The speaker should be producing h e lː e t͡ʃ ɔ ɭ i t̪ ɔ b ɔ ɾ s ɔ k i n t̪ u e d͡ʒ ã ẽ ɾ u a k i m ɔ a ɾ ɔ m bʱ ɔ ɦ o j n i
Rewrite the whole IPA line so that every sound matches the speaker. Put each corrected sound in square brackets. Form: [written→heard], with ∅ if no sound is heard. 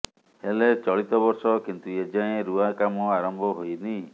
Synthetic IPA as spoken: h e [lː→l] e t͡ʃ ɔ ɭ i t̪ ɔ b ɔ ɾ s ɔ k i n t̪ u e d͡ʒ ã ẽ ɾ u a k [i→a] m ɔ a ɾ ɔ m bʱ ɔ ɦ o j n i